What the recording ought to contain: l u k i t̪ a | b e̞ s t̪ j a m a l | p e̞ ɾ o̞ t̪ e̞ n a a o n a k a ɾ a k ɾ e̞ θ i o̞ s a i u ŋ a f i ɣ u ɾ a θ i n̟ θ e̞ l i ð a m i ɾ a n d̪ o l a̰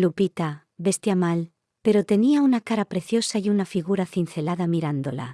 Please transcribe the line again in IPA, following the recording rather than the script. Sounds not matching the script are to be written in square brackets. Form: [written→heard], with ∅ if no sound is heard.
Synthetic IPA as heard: l u [k→p] i t̪ a | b e̞ s t̪ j a m a l | p e̞ ɾ o̞ t̪ e̞ n [a→i] a [o→u] n a k a ɾ a [k→p] ɾ e̞ θ [i→j] o̞ s a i u [ŋ→n] a f i ɣ u ɾ a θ i n̟ θ e̞ l [i→a] ð a m i ɾ a n d̪ o l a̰

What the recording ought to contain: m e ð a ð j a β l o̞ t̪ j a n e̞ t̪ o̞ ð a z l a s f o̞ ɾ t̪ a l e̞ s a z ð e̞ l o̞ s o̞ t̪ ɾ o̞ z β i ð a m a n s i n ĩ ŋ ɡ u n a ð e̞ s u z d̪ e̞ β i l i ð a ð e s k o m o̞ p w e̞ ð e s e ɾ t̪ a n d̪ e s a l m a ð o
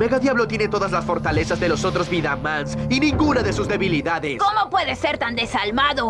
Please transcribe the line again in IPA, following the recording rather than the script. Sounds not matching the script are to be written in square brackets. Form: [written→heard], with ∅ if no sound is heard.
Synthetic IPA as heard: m e [ð→ɣ] a ð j a β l o̞ t̪ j [a→e] n e̞ t̪ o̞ ð a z l a s f o̞ ɾ t̪ a l e̞ s a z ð e̞ l o̞ s o̞ t̪ ɾ o̞ z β i ð a m a n s i n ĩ ŋ ɡ u n a ð e̞ s u z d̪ e̞ β i l i ð a ð e s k o m o̞ p w e̞ ð e s e ɾ t̪ a n d̪ e s a l m a ð o

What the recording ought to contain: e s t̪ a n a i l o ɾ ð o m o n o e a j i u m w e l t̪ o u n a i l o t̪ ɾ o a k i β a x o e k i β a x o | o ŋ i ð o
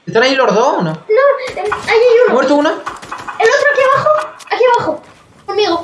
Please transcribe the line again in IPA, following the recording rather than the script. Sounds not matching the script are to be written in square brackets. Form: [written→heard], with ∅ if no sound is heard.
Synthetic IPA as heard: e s t̪ a n a i l o ɾ ð o [m→n] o n o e a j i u m w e [l→ɾ] t̪ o u n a [i→e] l o t̪ ɾ o a k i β a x o [e→a] k i β a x o | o [ŋ→m] i [ð→ɣ] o

